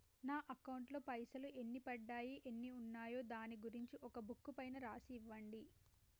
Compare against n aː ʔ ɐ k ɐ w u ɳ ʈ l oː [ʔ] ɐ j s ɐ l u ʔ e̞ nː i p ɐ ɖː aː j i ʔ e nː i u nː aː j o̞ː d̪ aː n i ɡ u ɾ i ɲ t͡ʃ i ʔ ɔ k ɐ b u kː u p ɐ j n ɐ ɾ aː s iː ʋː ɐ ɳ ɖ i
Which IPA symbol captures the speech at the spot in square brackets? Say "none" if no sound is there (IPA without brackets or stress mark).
p